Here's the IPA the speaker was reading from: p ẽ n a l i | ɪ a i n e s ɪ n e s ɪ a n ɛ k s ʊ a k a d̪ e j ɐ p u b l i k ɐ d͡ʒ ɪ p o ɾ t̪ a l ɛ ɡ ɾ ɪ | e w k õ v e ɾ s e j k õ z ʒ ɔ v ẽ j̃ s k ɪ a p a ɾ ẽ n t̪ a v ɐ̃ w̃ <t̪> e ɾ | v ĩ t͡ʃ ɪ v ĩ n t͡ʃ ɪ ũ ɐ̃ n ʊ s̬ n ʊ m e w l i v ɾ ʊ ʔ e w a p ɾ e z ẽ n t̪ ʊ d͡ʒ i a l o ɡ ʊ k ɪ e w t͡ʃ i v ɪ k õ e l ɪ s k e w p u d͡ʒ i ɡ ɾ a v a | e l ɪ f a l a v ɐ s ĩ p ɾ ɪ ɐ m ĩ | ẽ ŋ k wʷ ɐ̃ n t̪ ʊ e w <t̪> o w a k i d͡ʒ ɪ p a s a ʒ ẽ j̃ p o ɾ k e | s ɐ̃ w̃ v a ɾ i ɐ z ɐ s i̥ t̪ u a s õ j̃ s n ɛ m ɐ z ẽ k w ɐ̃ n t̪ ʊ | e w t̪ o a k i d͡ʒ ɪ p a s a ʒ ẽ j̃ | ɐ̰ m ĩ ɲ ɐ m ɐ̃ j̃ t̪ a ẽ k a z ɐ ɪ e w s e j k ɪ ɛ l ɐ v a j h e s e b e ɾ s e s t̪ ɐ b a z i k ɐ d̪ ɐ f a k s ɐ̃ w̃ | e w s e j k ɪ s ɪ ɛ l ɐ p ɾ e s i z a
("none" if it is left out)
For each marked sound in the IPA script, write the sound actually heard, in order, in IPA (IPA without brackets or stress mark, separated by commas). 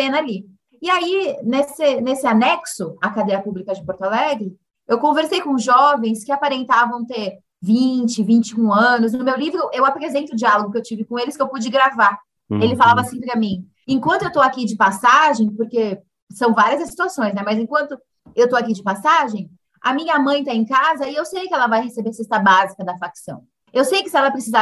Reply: t̪, t̪